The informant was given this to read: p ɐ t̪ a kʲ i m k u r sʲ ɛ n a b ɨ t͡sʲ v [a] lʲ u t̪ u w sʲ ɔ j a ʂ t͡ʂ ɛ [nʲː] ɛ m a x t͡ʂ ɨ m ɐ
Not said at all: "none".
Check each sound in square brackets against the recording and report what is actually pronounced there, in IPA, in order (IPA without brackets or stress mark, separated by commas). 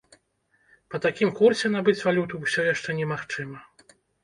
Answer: a, nʲ